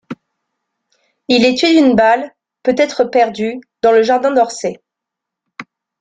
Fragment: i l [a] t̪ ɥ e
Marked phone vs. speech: incorrect: ɛ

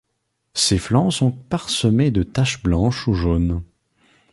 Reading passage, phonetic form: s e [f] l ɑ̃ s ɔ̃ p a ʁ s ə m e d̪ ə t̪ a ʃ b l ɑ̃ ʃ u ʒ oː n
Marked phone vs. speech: correct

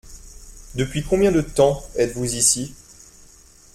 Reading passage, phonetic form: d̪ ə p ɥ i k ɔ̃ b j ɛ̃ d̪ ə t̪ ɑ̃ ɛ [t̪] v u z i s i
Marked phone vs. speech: correct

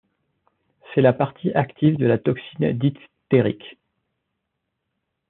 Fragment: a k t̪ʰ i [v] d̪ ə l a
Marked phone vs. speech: correct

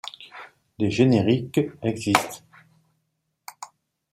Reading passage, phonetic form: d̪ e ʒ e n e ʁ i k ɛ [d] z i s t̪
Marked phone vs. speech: incorrect: ɡ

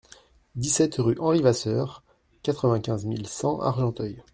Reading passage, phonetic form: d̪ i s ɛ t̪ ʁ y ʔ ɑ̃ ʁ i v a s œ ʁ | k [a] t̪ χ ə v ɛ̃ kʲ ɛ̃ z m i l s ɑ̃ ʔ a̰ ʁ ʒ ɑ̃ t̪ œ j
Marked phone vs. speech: correct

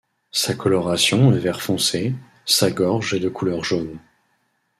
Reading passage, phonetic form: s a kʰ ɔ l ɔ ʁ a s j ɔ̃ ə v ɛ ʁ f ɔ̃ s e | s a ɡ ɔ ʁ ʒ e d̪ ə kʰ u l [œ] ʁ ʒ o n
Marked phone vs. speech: correct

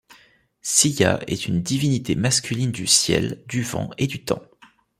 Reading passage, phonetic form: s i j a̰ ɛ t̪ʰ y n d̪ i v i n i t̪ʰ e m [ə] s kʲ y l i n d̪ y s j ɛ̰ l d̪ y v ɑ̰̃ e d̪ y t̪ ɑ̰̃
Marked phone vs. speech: incorrect: a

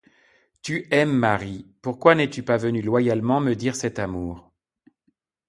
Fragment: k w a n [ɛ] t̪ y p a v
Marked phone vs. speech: correct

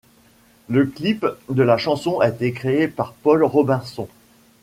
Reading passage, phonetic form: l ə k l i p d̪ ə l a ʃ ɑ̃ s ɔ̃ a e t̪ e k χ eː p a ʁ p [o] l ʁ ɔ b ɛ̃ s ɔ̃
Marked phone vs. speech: incorrect: ɔ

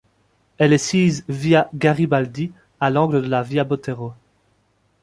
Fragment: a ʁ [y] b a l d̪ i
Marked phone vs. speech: incorrect: i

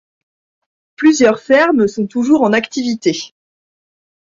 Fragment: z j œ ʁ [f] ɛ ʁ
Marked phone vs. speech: correct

